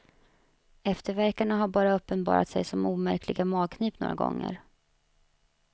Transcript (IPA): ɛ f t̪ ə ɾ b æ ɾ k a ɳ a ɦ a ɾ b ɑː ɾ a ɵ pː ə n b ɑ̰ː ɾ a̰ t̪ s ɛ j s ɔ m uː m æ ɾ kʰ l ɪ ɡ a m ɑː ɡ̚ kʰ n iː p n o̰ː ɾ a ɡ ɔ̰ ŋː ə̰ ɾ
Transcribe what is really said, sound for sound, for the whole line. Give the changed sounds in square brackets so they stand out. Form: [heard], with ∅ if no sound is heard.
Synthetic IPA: ɛ f t̪ ə ɾ [v] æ ɾ k a ɳ a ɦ a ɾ b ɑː ɾ a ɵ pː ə n b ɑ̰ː ɾ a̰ t̪ s ɛ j s ɔ m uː m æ ɾ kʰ l ɪ ɡ a m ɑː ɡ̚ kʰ n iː p n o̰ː ɾ a ɡ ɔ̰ ŋː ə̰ ɾ